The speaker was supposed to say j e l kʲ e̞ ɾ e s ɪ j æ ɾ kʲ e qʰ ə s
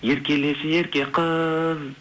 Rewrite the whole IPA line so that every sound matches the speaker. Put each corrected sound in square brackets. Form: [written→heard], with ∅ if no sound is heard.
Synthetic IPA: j e [l→ɾ] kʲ e̞ [ɾ→l] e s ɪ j [æ→e] ɾ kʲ e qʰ ə [s→z]